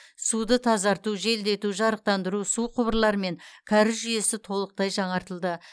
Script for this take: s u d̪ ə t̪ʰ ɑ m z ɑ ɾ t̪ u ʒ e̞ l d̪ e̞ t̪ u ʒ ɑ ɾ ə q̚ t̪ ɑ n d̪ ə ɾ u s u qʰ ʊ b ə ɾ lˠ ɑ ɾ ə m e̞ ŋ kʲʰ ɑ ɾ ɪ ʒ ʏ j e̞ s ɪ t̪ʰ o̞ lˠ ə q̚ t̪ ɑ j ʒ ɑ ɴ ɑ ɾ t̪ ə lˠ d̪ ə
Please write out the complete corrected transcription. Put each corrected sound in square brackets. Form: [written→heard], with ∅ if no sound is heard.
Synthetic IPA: s u d̪ ə t̪ʰ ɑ [m→∅] z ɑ ɾ t̪ u ʒ e̞ l d̪ e̞ t̪ u ʒ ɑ ɾ ə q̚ t̪ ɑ n d̪ ə ɾ u s u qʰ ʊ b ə ɾ lˠ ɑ ɾ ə m e̞ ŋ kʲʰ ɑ ɾ ɪ ʒ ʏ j e̞ s ɪ t̪ʰ o̞ lˠ ə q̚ t̪ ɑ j ʒ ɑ ɴ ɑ ɾ t̪ ə lˠ d̪ ə